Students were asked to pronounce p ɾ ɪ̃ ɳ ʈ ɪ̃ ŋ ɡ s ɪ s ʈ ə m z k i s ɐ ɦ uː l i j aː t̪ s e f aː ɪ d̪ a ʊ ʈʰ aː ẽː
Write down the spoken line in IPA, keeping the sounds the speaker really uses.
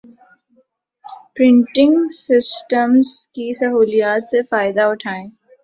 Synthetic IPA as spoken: p ɾ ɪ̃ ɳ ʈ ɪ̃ ŋ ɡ s ɪ s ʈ ə m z k i s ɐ ɦ uː l i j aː t̪ s e f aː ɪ d̪ a ʊ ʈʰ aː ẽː